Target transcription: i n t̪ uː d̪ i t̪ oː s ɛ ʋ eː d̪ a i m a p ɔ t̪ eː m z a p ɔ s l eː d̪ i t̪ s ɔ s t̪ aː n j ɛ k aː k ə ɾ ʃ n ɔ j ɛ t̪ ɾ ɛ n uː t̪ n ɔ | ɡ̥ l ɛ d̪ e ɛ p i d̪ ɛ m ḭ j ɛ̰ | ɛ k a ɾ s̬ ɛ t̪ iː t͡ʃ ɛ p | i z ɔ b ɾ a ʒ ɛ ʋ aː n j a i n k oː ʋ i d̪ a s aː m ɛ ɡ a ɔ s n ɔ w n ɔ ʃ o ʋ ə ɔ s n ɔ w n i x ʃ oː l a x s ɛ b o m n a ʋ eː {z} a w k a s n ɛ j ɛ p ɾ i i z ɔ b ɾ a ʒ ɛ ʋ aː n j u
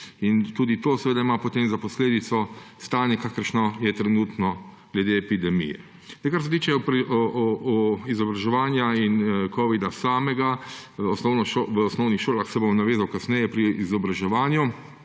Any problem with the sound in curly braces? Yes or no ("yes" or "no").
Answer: no